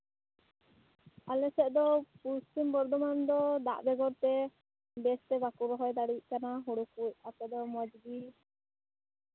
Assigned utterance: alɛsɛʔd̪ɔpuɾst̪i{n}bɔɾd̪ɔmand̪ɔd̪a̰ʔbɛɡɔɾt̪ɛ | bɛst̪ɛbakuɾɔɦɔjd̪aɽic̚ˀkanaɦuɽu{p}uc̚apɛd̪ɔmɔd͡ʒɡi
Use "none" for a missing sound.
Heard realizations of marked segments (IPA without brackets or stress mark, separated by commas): m, k